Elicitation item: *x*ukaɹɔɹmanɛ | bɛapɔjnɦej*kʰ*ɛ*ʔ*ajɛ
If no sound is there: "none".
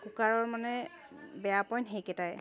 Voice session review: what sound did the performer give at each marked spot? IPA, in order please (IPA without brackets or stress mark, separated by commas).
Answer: k, k, t